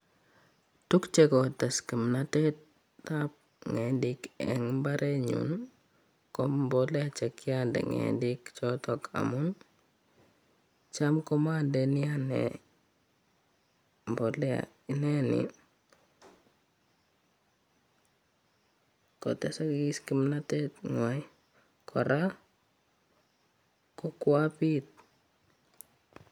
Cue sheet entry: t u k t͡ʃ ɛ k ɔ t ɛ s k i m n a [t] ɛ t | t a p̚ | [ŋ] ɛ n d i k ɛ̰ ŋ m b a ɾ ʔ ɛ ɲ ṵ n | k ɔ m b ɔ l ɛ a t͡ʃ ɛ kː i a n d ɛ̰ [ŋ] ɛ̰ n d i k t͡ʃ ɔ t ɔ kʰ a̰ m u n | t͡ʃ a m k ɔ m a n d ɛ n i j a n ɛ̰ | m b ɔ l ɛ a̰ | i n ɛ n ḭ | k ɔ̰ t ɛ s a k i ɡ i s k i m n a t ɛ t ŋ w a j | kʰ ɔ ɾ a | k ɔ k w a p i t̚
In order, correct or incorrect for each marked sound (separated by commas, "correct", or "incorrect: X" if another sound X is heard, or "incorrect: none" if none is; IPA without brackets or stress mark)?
correct, correct, correct